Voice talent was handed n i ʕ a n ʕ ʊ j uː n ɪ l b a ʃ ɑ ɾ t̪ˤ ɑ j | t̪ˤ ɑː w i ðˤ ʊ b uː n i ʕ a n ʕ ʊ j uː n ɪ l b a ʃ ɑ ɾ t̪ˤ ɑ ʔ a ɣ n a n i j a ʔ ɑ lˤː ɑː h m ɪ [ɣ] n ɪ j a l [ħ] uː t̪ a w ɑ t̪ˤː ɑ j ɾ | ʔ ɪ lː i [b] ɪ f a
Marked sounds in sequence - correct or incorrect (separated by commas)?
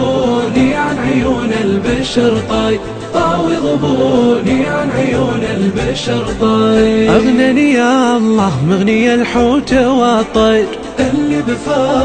correct, correct, correct